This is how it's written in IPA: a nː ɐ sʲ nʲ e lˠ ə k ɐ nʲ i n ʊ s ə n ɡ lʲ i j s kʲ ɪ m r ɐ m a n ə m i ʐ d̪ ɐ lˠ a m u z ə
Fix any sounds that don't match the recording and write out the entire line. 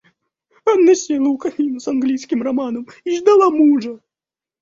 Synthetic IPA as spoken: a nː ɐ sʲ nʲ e lˠ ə k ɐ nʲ i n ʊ s ɐ n ɡ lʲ i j s kʲ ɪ m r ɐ m a n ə m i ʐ d̪ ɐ lˠ a m u ʐ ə